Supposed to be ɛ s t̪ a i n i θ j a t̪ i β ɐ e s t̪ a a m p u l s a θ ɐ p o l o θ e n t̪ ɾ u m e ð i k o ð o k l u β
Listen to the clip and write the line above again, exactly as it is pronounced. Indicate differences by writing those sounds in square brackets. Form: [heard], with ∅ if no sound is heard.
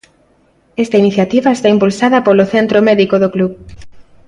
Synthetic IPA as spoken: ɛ s t̪ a i n i θ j a t̪ i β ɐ e s t̪ a [i] m p u l s a [ð] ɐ p o l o θ e n t̪ ɾ [o] m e ð i k o ð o k l u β

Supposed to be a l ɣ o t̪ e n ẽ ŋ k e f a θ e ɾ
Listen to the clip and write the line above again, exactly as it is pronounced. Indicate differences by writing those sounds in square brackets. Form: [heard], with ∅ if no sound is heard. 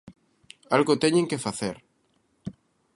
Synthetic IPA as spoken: a l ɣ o t̪ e [ɲ] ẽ ŋ k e f a θ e ɾ

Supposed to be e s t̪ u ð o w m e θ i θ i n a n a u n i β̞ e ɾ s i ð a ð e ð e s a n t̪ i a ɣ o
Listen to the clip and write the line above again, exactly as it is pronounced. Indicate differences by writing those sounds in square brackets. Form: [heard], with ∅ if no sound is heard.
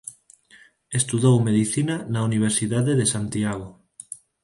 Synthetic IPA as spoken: e s t̪ u ð o w m e [ð] i θ i n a n a u n i β̞ e ɾ s i ð a ð e ð e s a n t̪ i a ɣ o

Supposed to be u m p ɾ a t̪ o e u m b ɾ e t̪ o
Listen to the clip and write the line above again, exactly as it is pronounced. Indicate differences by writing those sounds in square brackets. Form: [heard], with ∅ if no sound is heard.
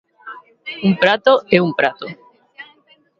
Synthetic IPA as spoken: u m p ɾ a t̪ o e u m [p] ɾ [a] t̪ o

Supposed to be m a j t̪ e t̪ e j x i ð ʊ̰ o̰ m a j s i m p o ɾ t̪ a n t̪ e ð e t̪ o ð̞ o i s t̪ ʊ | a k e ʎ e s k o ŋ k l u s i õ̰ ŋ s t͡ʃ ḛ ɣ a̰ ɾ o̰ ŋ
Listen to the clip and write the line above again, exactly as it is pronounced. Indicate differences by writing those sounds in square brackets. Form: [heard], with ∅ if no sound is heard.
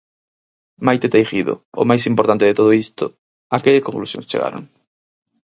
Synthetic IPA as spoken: m a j t̪ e t̪ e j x i ð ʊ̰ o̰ m a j s i m p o ɾ t̪ a n t̪ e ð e t̪ o ð̞ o i s t̪ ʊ | a k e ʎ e s k o ŋ k l u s [j] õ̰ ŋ s t͡ʃ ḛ ɣ a̰ ɾ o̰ ŋ

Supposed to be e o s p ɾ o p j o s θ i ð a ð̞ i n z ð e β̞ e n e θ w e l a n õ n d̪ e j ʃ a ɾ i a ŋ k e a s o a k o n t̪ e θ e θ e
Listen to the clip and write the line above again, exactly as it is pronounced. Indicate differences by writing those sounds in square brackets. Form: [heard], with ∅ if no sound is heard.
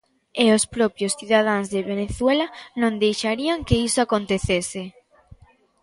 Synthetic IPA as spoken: e o s p ɾ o p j o s θ i ð a ð̞ [a] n z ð e β̞ e n e θ w e l a n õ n d̪ e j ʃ a ɾ i a ŋ k e [i] s o a k o n t̪ e θ e [s] e

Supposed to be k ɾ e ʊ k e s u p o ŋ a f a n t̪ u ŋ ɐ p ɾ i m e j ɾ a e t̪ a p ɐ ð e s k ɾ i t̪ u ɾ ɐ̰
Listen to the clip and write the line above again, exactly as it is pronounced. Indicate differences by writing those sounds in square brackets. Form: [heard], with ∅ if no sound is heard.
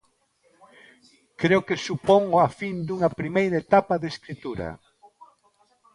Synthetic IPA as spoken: k ɾ e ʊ k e s u p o ŋ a f [i] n [d̪] u ŋ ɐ p ɾ i m e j ɾ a e t̪ a p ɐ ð e s k ɾ i t̪ u ɾ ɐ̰

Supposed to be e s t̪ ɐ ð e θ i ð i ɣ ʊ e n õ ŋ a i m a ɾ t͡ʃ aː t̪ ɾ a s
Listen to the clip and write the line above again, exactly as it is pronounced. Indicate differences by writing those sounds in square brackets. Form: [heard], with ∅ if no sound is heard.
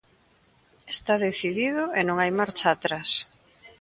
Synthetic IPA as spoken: e s t̪ [a] ð e θ i ð i [ð] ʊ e n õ ŋ a [j] m a ɾ t͡ʃ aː t̪ ɾ a s

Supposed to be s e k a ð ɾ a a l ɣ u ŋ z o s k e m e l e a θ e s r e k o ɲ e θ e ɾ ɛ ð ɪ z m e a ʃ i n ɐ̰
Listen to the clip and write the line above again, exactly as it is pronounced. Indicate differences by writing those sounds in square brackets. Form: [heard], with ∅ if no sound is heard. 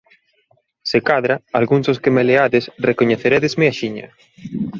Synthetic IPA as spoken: s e k a ð ɾ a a l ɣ u ŋ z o s k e m e l e a [ð] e s r e k o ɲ e θ e ɾ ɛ ð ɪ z m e a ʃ i [ɲ] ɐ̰

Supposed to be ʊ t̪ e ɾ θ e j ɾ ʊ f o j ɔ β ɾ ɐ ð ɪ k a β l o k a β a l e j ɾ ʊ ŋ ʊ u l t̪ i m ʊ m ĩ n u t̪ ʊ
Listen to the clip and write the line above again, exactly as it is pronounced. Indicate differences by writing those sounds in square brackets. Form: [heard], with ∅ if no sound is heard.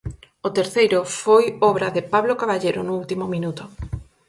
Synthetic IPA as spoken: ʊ t̪ e ɾ θ e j ɾ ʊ f o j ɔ β ɾ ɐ ð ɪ [p] a β l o k a β a [ʎ] e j ɾ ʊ [n] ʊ u l t̪ i m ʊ m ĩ n u t̪ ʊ

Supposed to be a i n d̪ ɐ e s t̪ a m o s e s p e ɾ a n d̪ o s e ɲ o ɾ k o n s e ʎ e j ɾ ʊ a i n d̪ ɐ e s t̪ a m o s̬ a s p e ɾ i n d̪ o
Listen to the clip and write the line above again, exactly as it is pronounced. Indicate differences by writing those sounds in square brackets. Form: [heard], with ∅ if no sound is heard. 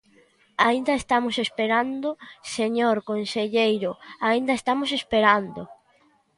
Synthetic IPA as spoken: a i n d̪ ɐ e s t̪ a m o s e s p e ɾ a n d̪ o s e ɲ o ɾ k o n s e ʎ e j ɾ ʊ a i n d̪ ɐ e s t̪ a m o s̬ [e] s p e ɾ [a] n d̪ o

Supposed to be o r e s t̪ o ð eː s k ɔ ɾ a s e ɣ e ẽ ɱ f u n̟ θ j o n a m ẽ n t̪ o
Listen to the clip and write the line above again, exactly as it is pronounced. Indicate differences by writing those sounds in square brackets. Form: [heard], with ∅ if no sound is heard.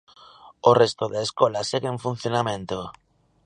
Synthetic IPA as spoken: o r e s t̪ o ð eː s k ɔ [l] a s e ɣ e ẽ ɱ f u n̟ θ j o n a m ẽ n t̪ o

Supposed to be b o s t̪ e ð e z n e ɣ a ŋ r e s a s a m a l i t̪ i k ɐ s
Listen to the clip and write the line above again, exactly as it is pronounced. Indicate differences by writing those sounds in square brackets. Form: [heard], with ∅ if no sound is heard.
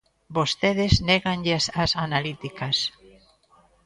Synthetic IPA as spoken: b o s t̪ e ð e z n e ɣ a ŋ [ʎ] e s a s a [n] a l i t̪ i k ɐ s

